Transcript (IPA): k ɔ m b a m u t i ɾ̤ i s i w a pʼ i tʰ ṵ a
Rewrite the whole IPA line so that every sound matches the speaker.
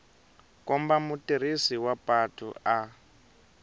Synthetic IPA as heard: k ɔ m b a m u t i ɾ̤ i s i w a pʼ a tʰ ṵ a